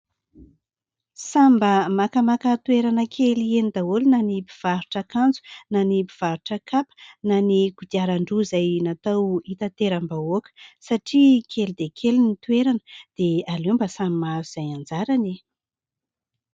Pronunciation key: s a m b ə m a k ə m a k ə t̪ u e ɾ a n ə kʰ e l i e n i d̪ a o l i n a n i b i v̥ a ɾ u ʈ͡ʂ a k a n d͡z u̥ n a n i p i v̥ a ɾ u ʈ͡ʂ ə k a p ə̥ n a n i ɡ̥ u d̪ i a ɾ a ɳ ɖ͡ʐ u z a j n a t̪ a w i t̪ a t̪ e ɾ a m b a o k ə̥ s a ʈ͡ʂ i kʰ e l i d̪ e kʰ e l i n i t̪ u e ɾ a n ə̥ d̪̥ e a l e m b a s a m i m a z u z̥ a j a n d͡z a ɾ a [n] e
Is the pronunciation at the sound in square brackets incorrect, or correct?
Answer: correct